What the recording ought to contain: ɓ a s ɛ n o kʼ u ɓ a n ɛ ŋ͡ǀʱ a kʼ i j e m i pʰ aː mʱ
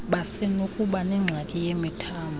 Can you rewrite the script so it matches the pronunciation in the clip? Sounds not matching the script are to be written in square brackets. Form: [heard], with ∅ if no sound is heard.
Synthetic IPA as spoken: ɓ a s ɛ n o kʼ u ɓ a n ɛ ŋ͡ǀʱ a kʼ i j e m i [tʰ] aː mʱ